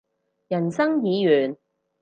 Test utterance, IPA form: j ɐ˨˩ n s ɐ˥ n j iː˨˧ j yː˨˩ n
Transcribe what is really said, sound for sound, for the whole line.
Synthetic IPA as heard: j ɐ˨˩ n s ɐ˥ ŋ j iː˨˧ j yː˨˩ n